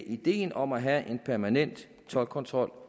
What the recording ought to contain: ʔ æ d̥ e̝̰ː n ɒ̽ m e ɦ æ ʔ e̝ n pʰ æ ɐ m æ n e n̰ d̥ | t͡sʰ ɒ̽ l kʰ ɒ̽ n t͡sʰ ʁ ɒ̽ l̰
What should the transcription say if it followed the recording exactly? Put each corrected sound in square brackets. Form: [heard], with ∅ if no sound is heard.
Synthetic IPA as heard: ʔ [i] d̥ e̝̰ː n ɒ̽ m [æ] ɦ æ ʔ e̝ n pʰ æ ɐ m æ n e n̰ d̥ | t͡sʰ ɒ̽ l kʰ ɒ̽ n t͡sʰ ʁ ɒ̽ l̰